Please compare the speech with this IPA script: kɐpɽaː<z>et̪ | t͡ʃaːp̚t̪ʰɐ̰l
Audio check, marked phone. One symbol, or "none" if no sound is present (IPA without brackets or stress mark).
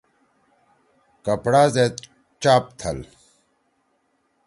z